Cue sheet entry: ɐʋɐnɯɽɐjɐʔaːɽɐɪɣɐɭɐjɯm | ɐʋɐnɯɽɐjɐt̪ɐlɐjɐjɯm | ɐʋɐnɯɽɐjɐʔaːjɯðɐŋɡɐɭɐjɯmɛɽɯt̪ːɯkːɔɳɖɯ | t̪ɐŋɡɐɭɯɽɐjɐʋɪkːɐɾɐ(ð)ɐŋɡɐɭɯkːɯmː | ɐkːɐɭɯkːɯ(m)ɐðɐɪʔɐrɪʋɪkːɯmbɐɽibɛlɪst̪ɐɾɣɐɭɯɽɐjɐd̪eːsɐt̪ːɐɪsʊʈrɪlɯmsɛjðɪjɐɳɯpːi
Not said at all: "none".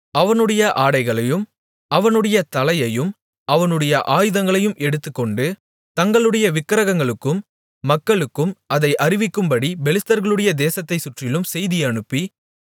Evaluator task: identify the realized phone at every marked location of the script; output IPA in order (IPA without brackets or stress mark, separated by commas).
ɣ, m